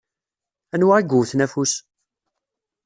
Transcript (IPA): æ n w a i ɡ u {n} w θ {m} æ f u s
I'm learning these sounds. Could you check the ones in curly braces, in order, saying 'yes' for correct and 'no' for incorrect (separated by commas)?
no, no